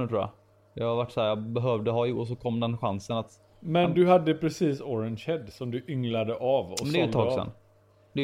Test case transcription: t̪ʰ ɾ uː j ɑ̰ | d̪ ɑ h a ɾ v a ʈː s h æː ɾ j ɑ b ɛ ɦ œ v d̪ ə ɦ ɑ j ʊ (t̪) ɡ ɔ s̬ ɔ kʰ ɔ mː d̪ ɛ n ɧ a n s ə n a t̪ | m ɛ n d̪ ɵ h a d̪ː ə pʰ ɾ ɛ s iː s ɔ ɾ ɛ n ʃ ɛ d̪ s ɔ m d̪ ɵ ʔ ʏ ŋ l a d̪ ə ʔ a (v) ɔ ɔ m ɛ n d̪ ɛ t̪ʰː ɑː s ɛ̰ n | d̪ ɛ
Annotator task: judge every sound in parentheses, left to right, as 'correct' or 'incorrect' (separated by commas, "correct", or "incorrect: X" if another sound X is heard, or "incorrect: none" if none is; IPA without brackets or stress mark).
incorrect: none, correct